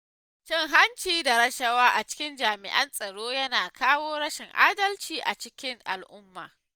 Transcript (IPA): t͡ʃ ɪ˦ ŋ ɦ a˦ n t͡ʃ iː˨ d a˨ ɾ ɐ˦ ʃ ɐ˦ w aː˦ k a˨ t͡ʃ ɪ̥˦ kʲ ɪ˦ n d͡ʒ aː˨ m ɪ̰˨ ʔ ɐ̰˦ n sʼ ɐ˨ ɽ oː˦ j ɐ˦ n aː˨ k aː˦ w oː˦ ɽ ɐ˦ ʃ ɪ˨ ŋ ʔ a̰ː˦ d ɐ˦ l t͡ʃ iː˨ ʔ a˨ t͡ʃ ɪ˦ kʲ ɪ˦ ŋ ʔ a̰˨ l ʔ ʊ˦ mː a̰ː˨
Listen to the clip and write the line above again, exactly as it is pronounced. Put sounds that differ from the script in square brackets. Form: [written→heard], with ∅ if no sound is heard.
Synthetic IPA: t͡ʃ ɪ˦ ŋ ɦ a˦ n t͡ʃ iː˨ d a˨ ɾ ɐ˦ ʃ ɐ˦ w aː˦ [k→ʔ] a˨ t͡ʃ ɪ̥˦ kʲ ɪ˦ n d͡ʒ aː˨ m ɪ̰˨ ʔ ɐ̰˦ n sʼ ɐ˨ ɽ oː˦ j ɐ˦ n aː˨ k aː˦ w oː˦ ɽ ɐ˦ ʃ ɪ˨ ŋ ʔ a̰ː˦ d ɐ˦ l t͡ʃ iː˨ ʔ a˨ t͡ʃ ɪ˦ kʲ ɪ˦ ŋ ʔ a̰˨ l ʔ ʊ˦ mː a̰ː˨